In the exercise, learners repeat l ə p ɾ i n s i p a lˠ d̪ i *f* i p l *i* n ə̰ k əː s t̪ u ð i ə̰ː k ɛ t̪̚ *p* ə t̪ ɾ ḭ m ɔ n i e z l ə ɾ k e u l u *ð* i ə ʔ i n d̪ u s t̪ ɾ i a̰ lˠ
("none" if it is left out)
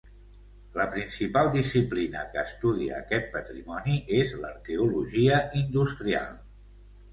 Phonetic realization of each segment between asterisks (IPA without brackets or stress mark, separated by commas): s, i, p, ʒ